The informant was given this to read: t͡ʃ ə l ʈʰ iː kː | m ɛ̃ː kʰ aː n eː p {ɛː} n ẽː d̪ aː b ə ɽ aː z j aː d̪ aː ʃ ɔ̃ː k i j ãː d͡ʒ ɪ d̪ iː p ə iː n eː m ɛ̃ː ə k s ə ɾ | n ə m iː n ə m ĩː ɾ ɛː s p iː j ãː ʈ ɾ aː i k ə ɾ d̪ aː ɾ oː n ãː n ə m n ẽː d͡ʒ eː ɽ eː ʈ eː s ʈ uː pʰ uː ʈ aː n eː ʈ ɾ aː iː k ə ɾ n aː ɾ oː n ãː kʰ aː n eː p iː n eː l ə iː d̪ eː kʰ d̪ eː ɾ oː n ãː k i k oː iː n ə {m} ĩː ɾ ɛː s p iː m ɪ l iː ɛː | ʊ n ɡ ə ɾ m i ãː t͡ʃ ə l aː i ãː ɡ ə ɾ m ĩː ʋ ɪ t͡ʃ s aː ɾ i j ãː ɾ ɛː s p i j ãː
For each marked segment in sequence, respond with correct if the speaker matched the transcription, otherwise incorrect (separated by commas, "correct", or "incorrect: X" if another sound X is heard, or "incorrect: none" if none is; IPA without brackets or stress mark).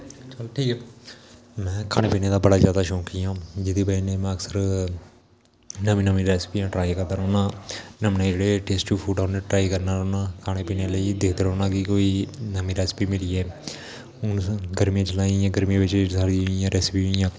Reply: incorrect: iː, correct